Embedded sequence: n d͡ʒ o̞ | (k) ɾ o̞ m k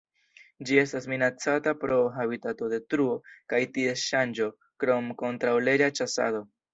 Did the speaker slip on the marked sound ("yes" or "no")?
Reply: no